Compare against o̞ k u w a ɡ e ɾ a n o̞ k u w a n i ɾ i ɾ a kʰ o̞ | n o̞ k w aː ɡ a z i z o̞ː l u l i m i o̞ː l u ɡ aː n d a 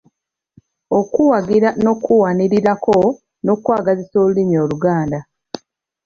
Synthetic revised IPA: o̞ k u w a ɡ i ɾ a n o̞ k u w a n i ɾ i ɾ a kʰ o̞ | n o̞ k w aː ɡ a z i s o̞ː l u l i m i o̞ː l u ɡ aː n d a